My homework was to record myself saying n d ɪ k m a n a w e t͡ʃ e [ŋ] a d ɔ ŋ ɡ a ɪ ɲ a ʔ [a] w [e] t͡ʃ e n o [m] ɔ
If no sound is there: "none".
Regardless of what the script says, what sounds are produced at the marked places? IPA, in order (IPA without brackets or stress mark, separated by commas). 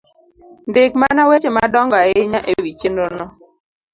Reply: m, e, i, n